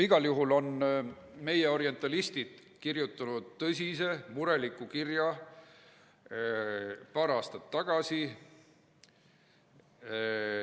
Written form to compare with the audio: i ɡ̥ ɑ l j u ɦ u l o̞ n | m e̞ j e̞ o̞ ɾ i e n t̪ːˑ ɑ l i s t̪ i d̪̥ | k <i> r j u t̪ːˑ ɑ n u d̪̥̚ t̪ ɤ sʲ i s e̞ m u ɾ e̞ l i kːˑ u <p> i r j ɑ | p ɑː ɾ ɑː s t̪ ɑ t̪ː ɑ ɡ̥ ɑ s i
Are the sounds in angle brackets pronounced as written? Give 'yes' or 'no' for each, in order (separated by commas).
yes, no